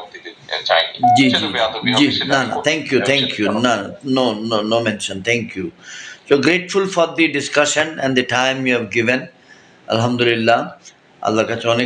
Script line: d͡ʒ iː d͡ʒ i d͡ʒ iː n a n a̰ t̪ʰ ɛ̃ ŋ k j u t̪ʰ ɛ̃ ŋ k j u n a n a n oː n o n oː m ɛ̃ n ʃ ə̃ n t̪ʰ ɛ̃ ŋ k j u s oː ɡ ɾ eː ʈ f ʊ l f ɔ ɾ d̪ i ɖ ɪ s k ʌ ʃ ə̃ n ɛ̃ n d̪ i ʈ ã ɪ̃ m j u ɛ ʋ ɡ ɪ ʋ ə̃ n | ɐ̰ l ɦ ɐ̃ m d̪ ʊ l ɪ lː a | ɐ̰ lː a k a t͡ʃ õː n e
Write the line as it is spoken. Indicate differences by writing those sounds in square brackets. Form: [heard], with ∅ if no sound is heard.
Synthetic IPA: d͡ʒ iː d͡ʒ i d͡ʒ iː n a n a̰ t̪ʰ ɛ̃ ŋ k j u t̪ʰ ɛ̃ ŋ k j u n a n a n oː n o n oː m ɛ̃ n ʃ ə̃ n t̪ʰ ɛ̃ ŋ k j u s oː ɡ ɾ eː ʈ f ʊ l f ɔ ɾ d̪ i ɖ ɪ s k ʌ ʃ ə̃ n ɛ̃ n d̪ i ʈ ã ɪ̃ m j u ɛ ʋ ɡ ɪ ʋ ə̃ n | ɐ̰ l ɦ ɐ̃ m d̪ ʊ l ɪ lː a | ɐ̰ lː a k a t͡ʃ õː n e